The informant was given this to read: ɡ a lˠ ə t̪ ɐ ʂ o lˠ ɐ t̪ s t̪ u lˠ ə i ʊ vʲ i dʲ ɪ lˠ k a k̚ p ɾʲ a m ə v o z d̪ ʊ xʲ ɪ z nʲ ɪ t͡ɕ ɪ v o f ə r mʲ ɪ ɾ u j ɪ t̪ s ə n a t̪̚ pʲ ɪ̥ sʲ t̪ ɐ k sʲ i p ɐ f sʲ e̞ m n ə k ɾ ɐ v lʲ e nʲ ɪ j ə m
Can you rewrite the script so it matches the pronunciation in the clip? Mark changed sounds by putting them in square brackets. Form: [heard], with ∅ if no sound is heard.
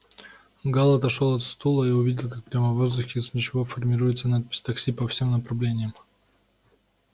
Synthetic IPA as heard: ɡ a lˠ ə t̪ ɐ ʂ o lˠ ɐ t̪ s t̪ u lˠ ə i ʊ vʲ i dʲ ɪ lˠ k a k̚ p ɾʲ a m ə v o z d̪ ʊ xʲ ɪ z nʲ ɪ t͡ɕ ɪ v o f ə r mʲ ɪ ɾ u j ɪ t̪ s ə n a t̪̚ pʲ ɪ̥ sʲ t̪ ɐ k sʲ i p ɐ f sʲ e̞ m n ə [p] ɾ ɐ v lʲ e nʲ ɪ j ə m

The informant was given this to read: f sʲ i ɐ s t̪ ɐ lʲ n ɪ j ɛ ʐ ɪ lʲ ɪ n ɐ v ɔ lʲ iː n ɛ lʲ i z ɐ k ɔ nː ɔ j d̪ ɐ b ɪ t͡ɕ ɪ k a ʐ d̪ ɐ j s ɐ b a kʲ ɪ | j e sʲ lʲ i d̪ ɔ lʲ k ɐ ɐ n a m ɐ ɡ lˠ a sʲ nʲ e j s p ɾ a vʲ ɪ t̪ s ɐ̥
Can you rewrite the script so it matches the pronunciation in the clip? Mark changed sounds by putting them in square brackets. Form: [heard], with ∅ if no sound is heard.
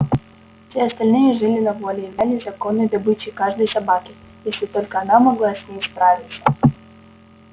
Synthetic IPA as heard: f sʲ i ɐ s t̪ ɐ lʲ n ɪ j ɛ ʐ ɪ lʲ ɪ n ɐ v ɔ lʲ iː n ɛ lʲ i z ɐ k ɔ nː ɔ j d̪ ɐ b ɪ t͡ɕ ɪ k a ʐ d̪ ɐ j s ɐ b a kʲ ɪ | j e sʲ lʲ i [t̪] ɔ lʲ k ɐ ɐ n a m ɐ ɡ lˠ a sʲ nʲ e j s p ɾ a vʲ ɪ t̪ s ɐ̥

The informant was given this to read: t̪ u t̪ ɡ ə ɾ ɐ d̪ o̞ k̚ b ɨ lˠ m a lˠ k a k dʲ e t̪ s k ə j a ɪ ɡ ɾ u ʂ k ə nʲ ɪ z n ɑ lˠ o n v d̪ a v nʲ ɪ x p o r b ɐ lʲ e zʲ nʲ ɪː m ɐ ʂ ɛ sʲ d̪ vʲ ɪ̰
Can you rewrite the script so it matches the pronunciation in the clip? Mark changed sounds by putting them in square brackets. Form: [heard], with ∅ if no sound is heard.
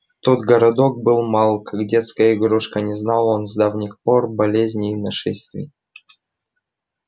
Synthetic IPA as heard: t̪ [o] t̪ ɡ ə ɾ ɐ d̪ o̞ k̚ b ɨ lˠ m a lˠ k a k dʲ e t̪ s k ə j [ə] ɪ ɡ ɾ u ʂ k ə nʲ ɪ z n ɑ lˠ o n [z] d̪ a v nʲ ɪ x p o r b ɐ lʲ e zʲ nʲ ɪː [n] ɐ ʂ ɛ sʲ [t̪] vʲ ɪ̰

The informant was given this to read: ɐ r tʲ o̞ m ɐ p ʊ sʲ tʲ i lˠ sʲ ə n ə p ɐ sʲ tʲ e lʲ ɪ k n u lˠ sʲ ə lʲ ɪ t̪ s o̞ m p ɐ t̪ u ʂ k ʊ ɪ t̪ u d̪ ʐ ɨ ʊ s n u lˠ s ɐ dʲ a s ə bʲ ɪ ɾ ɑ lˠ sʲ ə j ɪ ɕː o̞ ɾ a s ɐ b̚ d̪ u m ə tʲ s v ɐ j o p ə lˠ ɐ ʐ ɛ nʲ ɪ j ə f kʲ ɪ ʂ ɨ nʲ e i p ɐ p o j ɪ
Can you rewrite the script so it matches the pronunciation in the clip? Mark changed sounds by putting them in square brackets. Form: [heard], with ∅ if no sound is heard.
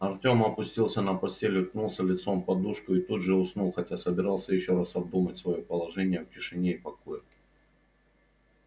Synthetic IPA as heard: ɐ r tʲ o̞ m ɐ p ʊ sʲ tʲ i lˠ sʲ ə n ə p ɐ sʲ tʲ e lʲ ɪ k n u lˠ sʲ ə lʲ ɪ t̪ s o̞ m p ɐ [d̪] u ʂ k ʊ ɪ t̪ u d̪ ʐ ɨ ʊ s n u lˠ [x] ɐ [tʲ] a s ə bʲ ɪ ɾ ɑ lˠ sʲ ə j ɪ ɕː o̞ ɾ a s ɐ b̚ d̪ u m ə tʲ s v ɐ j o p ə lˠ ɐ ʐ ɛ nʲ ɪ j ə f kʲ ɪ ʂ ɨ nʲ e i p ɐ [k] o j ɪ

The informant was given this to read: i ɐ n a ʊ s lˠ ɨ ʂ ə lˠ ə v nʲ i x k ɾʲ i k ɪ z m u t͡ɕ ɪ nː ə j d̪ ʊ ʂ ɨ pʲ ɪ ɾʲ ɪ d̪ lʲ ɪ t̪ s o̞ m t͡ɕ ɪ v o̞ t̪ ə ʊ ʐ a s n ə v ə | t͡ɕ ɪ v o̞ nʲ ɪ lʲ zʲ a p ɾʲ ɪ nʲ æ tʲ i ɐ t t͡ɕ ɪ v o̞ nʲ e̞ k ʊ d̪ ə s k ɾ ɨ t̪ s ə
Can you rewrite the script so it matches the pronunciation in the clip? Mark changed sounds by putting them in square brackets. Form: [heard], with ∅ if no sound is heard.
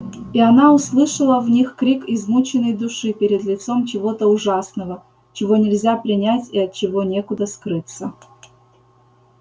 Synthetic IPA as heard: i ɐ n a ʊ s lˠ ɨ ʂ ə lˠ ə v nʲ i x k ɾʲ i k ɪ z m u t͡ɕ ɪ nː ə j d̪ ʊ ʂ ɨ pʲ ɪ ɾʲ ɪ d̪ lʲ ɪ t̪ s o̞ m t͡ɕ ɪ v o̞ t̪ ə ʊ ʐ a s n ə v ə | t͡ɕ ɪ v o̞ nʲ ɪ lʲ zʲ a p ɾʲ ɪ nʲ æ tʲ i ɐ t t͡ɕ ɪ v o̞ nʲ e̞ k ʊ d̪ ə s k ɾ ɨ t̪ s ə

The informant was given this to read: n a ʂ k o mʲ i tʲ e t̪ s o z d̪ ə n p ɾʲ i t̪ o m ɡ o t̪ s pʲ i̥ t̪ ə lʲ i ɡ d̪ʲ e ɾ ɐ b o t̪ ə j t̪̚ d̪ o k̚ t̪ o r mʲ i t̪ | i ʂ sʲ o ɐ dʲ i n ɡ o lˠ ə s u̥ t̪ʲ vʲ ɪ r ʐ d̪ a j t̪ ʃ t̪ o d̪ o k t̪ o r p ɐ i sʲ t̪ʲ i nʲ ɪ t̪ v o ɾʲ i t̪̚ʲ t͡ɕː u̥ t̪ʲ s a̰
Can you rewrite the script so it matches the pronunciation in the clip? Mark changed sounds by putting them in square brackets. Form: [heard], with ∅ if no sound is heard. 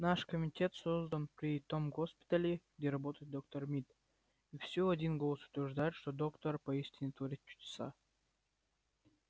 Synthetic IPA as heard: n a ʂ k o mʲ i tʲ e t̪ s o z d̪ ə n p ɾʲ i t̪ o m ɡ o [∅] s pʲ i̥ t̪ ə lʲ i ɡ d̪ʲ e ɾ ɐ b o t̪ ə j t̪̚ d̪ o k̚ t̪ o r mʲ i t̪ | i [f] sʲ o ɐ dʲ i n ɡ o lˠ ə s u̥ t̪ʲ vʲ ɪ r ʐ d̪ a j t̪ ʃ t̪ o d̪ o k t̪ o r p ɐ i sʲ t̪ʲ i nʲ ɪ t̪ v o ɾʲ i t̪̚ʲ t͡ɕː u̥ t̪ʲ s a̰

